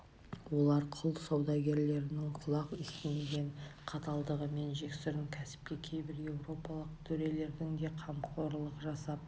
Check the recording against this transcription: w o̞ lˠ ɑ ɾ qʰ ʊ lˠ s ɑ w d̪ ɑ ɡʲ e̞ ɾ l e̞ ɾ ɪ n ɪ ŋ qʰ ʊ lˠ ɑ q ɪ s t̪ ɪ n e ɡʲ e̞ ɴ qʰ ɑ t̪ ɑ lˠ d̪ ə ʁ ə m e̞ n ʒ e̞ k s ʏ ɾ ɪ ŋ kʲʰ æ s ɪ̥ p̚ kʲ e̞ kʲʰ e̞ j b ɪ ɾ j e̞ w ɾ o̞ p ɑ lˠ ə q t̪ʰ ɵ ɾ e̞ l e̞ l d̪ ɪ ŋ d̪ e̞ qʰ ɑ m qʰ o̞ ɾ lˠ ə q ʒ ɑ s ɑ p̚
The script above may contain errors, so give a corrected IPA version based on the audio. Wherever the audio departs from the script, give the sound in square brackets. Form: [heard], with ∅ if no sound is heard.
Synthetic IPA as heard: w o̞ lˠ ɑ ɾ qʰ ʊ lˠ s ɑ w d̪ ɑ ɡʲ e̞ ɾ l e̞ ɾ ɪ n ɪ ŋ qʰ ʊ lˠ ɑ q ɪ s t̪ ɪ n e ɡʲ e̞ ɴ qʰ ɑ t̪ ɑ lˠ d̪ ə ʁ ə m e̞ n ʒ e̞ k s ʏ ɾ ɪ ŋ kʲʰ æ s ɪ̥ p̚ kʲ e̞ kʲʰ e̞ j b ɪ ɾ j e̞ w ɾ o̞ p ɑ lˠ ə q t̪ʰ ɵ ɾ e̞ l e̞ [ɾ] d̪ ɪ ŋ d̪ e̞ qʰ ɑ m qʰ o̞ ɾ lˠ ə q ʒ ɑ s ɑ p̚